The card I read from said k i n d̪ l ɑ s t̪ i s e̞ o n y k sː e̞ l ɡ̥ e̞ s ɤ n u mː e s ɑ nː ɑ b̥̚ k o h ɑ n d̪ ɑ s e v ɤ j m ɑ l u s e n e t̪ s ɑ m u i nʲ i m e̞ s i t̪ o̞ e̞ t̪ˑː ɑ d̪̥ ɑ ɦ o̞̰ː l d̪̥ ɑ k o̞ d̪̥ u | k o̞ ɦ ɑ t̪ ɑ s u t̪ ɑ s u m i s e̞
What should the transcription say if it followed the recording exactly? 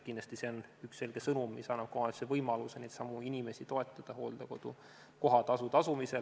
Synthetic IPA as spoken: k i n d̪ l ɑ s t̪ i s e̞ o n y k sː e̞ l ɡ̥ e̞ s ɤ n u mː i s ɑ nː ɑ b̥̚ k o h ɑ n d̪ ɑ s e v ɤ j m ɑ l u s e n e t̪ s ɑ m u i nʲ i m e̞ s i t̪ o̞ e̞ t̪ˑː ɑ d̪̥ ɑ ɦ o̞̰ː l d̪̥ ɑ k o̞ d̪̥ u | k o̞ ɦ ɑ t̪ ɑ s u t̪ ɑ s u m i s e̞